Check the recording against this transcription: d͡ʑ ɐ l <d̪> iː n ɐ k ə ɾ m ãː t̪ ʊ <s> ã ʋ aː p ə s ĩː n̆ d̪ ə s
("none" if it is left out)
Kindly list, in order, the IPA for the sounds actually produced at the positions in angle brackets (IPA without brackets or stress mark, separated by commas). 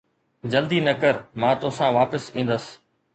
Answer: d̪, s